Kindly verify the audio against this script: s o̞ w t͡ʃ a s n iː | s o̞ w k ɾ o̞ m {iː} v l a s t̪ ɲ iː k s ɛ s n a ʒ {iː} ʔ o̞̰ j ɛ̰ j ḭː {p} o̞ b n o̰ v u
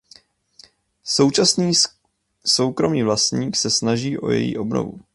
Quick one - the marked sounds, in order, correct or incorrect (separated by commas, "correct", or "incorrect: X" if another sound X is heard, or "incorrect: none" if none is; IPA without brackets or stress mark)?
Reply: correct, correct, incorrect: ʔ